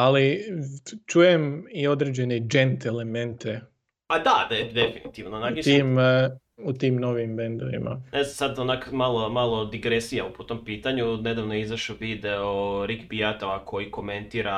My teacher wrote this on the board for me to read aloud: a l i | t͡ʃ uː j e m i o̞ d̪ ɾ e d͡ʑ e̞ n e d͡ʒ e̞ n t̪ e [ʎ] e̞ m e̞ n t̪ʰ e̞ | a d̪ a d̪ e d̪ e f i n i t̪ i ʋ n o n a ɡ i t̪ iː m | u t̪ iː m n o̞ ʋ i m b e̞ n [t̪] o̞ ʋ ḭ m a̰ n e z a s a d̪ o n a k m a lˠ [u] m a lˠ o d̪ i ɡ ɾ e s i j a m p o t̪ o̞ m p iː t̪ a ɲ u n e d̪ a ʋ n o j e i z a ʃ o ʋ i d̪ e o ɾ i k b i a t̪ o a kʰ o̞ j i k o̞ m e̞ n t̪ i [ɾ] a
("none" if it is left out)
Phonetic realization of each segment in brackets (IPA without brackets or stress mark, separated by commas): l, d̪, o, ɾ